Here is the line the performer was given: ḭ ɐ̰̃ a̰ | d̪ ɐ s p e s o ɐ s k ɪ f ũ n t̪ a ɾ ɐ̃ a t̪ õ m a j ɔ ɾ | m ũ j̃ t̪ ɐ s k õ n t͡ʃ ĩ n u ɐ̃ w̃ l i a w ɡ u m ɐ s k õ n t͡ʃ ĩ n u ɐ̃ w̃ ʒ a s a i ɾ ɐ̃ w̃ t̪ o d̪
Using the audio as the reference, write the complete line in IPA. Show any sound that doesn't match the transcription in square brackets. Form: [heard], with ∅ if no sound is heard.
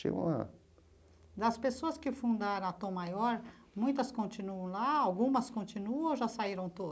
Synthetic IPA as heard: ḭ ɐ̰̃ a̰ | d̪ ɐ s p e s o ɐ s k ɪ f ũ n [d̪] a ɾ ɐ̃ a t̪ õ m a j ɔ ɾ | m ũ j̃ t̪ ɐ s k õ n t͡ʃ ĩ n u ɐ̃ w̃ l [a] a w ɡ [ũ] m ɐ s k õ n t͡ʃ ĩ n u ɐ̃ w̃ ʒ a s a i ɾ ɐ̃ w̃ t̪ o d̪